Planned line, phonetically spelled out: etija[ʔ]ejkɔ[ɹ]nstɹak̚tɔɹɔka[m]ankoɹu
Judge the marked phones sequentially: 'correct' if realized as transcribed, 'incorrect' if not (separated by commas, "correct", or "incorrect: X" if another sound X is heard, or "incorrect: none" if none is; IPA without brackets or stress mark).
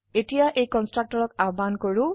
correct, incorrect: none, incorrect: b